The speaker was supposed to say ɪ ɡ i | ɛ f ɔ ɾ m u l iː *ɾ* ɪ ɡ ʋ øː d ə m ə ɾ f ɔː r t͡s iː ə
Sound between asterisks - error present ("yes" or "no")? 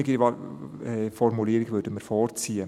no